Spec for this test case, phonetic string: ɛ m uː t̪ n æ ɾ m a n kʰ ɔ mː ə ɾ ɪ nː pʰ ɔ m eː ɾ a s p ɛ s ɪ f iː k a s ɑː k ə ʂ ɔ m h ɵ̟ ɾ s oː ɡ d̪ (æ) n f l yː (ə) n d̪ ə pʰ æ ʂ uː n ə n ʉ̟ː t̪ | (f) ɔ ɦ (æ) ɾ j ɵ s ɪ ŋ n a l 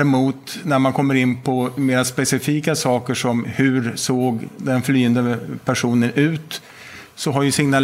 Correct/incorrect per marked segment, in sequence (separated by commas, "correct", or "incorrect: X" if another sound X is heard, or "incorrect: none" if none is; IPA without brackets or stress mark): incorrect: ɛ, correct, incorrect: s, incorrect: a